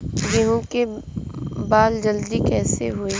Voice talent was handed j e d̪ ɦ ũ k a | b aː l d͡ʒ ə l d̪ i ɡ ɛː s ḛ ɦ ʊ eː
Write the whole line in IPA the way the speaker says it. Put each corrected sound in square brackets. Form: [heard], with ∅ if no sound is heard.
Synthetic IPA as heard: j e [∅] ɦ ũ k [e] | b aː l d͡ʒ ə l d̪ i [k] ɛː s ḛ ɦ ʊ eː